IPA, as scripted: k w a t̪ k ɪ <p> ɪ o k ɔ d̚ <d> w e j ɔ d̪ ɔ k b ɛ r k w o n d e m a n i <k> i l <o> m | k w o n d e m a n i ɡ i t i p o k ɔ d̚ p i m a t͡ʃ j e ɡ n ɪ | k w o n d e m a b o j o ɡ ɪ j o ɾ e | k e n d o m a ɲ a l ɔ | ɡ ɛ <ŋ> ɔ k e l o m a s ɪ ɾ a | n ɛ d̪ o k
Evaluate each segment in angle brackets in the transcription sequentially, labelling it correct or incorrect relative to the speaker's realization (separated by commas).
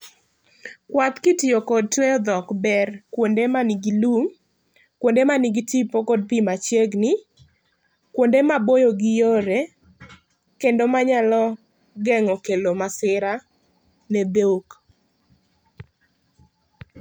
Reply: incorrect, incorrect, incorrect, incorrect, correct